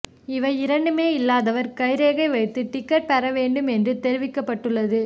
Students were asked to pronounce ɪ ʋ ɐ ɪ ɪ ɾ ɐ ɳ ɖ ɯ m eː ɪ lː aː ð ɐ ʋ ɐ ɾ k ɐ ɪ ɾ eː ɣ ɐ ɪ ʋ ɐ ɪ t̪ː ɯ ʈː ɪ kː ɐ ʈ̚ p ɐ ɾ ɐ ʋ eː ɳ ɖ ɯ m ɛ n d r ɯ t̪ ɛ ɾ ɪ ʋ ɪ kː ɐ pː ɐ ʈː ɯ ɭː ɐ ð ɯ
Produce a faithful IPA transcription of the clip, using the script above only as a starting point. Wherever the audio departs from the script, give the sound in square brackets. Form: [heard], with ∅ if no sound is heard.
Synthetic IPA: ɪ ʋ ɐ ɪ ɪ ɾ ɐ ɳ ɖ ɯ m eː ɪ lː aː ð ɐ ʋ ɐ ɾ k ɐ ɪ ɾ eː ɣ ɐ ɪ ʋ ɐ ɪ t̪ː ɯ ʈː ɪ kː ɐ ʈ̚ p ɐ ɾ ɐ ʋ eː ɳ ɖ ɯ m ɛ n d r ɯ t̪ ɛ ɾ ɪ ʋ ɪ kː ɐ pː ɐ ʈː ɯ ɭː ɐ ð ɯ